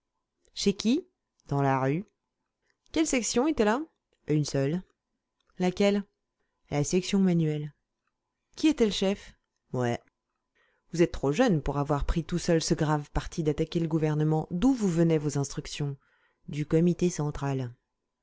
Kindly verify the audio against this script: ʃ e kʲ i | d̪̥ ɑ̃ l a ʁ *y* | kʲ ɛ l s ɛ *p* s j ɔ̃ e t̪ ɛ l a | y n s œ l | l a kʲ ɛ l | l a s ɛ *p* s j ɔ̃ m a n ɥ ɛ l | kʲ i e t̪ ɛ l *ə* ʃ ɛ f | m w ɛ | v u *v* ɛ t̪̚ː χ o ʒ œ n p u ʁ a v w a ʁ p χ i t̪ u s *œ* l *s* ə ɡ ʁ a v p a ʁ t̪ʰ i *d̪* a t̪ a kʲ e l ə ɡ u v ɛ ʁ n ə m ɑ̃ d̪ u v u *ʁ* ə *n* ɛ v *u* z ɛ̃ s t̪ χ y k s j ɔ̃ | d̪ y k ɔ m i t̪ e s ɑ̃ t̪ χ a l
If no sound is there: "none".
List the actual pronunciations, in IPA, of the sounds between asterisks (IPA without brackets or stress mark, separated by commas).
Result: y, k, k, ə, z, œ, s, d̪, v, n, o